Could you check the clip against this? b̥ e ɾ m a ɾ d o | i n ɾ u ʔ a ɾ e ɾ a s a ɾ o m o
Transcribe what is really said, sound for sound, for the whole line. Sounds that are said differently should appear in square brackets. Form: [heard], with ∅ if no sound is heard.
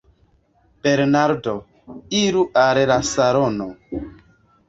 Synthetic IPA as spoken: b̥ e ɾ [n] a ɾ d o | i [∅] ɾ u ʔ a ɾ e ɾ a s a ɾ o [n] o